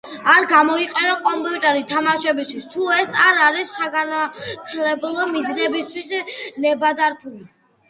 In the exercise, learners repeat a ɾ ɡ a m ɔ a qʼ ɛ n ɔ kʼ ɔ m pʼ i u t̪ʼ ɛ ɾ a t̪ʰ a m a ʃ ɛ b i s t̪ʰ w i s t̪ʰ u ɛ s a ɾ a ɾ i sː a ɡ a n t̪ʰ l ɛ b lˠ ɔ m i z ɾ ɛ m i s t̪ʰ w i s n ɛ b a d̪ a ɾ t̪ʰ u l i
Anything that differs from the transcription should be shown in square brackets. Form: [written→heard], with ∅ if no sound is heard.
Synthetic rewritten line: a ɾ ɡ a m ɔ [a→i] qʼ ɛ n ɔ kʼ ɔ m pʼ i u t̪ʼ ɛ ɾ [a→i] t̪ʰ a m a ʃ ɛ b i s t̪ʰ w i s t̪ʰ u ɛ s a ɾ a ɾ i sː a ɡ a n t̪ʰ l ɛ b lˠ ɔ m i z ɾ ɛ [m→b] i s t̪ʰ w i s n ɛ b a d̪ a ɾ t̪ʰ u l i